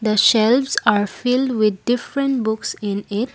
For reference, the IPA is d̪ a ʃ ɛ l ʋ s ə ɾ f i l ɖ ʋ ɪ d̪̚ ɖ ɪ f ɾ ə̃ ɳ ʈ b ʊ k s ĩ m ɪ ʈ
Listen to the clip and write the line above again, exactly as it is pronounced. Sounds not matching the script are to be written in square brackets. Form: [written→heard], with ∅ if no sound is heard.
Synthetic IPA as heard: d̪ [a→ə] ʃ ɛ l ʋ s [ə→a] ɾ f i l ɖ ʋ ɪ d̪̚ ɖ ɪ f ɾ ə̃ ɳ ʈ b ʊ k s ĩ [m→n] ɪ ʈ